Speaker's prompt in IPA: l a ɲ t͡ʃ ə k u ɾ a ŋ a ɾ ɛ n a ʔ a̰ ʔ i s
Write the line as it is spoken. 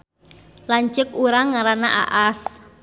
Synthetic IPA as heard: l a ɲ t͡ʃ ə k u ɾ a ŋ a ɾ a n a ʔ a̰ ʔ a s

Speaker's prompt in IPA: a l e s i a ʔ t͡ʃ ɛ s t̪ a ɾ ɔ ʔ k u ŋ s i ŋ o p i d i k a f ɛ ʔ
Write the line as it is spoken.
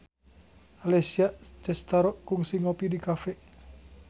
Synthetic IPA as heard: a l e s i a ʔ t͡ʃ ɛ s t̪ a ɾ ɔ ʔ k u ŋ s i ŋ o p i d i k a f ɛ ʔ

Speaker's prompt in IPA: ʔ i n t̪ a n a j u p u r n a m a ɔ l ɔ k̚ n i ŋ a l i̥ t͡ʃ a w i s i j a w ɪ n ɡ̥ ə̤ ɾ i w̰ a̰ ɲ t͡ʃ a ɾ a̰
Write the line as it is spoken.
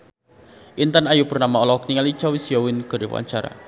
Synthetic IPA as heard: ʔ i n t̪ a n a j u p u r n a m a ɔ l ɔ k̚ n i ŋ a l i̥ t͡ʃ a w i s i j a w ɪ n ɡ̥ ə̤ ɾ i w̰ a̰ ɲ t͡ʃ a ɾ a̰

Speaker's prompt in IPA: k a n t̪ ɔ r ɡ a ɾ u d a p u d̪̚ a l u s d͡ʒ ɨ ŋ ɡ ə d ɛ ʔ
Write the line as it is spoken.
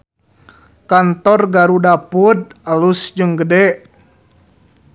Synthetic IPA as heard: k a n t̪ ɔ r ɡ a ɾ u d a p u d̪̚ a l u s d͡ʒ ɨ ŋ ɡ ə d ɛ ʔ

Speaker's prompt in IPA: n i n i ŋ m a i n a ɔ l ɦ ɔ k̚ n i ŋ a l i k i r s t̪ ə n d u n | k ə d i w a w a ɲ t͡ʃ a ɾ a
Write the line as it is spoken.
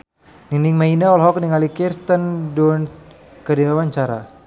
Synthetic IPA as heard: n i n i ŋ m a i n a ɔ l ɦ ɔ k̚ n i ŋ a l i k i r s t̪ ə n d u n | k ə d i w a w a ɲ t͡ʃ a ɾ a

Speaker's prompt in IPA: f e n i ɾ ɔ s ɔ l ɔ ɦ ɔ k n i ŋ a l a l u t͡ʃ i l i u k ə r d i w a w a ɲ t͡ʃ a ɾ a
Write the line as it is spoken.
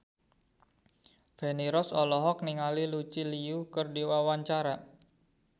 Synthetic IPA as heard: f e n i ɾ ɔ s ɔ l ɔ ɦ ɔ k n i ŋ a l i l u t͡ʃ i l i u k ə r d i w a w a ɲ t͡ʃ a ɾ a

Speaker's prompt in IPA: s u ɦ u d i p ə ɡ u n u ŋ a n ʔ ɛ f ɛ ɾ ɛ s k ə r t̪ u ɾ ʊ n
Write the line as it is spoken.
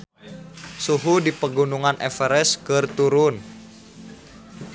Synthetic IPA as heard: s u ɦ u d i p ə ɡ u n u ŋ a n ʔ ɛ f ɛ ɾ ɛ s k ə r t̪ u ɾ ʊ n

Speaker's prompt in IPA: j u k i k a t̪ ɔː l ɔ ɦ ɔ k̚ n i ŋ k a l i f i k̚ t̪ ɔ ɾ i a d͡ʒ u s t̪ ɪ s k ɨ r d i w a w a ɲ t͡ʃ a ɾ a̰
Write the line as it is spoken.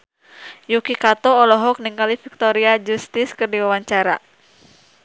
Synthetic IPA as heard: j u k i k a t̪ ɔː l ɔ ɦ ɔ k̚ n i ŋ k a l i f i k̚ t̪ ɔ ɾ i a d͡ʒ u s t̪ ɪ s k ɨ r d i w a w a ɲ t͡ʃ a ɾ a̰

